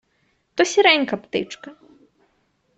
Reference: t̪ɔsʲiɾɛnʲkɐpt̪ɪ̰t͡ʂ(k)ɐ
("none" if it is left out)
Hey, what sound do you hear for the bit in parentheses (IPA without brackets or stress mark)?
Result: k